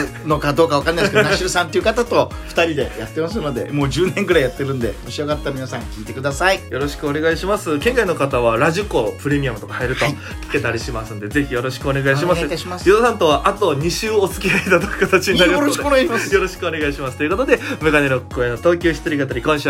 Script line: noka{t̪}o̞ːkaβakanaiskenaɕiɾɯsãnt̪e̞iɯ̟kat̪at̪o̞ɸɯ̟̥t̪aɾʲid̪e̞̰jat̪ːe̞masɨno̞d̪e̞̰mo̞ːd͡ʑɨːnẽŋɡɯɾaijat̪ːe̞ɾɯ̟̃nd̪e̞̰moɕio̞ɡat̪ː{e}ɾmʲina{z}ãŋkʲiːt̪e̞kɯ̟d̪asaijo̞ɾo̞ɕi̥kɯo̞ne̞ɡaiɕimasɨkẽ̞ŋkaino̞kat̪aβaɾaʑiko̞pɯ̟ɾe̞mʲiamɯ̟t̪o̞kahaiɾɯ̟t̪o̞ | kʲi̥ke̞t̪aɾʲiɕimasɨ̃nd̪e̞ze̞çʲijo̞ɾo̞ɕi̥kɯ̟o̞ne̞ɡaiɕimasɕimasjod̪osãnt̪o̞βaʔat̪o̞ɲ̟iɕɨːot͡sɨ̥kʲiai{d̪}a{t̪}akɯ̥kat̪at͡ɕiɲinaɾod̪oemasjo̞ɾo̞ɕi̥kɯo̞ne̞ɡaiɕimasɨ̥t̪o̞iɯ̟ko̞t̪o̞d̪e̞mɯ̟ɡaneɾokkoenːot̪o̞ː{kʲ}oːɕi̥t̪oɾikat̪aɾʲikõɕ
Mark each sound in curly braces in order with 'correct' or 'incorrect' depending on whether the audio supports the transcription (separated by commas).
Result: incorrect, incorrect, incorrect, incorrect, incorrect, correct